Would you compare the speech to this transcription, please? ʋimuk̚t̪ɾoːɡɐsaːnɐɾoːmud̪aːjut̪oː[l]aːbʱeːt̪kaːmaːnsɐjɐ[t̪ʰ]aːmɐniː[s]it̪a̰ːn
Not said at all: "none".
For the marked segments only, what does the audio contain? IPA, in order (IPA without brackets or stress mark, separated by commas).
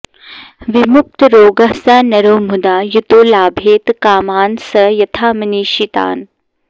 l, t̪ʰ, ʃ